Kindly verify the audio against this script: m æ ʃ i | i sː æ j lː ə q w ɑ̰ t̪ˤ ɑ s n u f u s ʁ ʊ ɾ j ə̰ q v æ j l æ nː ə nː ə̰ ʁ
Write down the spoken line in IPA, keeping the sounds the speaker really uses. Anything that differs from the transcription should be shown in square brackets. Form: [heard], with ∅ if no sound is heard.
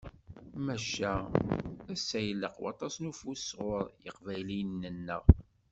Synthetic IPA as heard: m æ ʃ [æ] | [æ] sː æ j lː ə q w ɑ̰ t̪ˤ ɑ s n u f u s ʁ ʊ ɾ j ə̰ q v æ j l [i] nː ə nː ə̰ ʁ